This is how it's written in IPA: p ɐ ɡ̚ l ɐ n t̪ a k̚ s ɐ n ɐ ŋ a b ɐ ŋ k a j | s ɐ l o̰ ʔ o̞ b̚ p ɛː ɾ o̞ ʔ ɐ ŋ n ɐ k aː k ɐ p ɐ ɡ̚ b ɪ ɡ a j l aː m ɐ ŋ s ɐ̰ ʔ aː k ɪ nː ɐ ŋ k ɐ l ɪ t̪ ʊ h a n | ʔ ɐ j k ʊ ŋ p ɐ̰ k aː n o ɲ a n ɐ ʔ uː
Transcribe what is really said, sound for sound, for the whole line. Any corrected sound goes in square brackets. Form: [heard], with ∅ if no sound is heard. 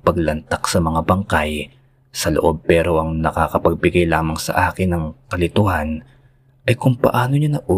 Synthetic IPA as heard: p ɐ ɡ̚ l ɐ n t̪ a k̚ s ɐ [m] ɐ ŋ a b ɐ ŋ k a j | s ɐ l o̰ ʔ o̞ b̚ p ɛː ɾ o̞ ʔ ɐ ŋ n ɐ k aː k ɐ p ɐ ɡ̚ b ɪ ɡ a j l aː m ɐ ŋ s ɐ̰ ʔ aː k ɪ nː ɐ ŋ k ɐ l ɪ t̪ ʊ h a n | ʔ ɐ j k ʊ ŋ p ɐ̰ [ʔ] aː n o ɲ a n ɐ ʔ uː